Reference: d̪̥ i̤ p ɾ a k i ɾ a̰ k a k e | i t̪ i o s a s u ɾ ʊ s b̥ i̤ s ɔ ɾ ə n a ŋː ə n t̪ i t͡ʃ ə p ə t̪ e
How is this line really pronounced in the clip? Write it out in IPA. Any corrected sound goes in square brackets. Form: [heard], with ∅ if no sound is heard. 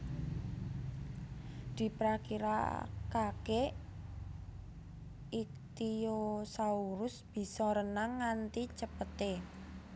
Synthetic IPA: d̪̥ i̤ p ɾ a k i ɾ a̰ k a k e | i t̪ i o s a [∅] u ɾ ʊ s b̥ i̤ s ɔ ɾ ə n a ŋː [a] n t̪ i t͡ʃ ə p ə t̪ e